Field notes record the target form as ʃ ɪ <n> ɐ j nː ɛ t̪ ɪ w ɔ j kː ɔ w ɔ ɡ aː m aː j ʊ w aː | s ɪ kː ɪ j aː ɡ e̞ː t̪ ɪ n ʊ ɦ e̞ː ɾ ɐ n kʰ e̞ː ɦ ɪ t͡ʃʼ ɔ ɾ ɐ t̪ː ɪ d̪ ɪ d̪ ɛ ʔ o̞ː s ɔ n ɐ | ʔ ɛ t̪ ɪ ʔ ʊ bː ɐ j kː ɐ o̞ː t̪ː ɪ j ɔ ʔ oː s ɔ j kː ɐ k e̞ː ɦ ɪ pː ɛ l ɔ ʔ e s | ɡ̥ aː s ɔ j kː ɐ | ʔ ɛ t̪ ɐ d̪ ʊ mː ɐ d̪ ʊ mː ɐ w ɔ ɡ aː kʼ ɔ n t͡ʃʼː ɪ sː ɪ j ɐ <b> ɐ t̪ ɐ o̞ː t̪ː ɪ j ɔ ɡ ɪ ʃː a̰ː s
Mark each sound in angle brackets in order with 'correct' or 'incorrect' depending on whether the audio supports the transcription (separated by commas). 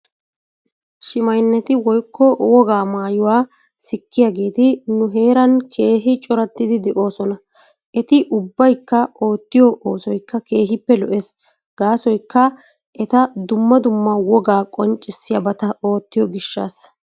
incorrect, correct